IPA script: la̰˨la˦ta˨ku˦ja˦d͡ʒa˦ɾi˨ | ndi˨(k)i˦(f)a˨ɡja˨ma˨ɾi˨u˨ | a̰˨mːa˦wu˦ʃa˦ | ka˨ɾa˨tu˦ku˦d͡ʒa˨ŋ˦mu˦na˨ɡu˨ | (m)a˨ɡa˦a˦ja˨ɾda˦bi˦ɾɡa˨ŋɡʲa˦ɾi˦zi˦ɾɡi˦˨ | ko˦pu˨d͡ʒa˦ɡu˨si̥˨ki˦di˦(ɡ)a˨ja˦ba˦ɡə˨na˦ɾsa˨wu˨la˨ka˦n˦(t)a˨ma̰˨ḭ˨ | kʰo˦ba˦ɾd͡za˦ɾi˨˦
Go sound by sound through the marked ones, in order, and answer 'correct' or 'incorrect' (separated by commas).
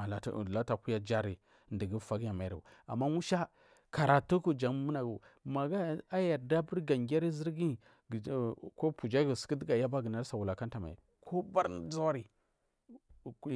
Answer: incorrect, correct, correct, correct, correct